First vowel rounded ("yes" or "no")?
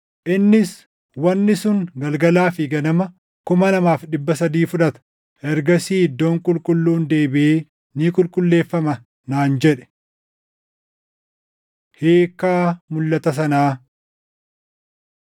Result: no